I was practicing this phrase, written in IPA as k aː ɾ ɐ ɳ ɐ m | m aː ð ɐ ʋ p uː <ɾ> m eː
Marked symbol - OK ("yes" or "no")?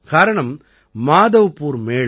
yes